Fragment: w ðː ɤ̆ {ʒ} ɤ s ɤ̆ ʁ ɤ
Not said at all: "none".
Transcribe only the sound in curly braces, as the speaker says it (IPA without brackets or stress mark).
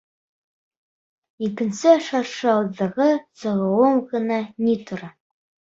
ʁ